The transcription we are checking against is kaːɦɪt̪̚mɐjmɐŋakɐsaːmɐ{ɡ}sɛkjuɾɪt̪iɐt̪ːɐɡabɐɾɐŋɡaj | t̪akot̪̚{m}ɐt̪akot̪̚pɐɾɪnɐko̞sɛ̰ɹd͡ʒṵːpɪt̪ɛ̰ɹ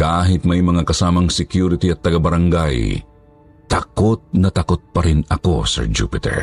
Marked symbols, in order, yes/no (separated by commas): no, no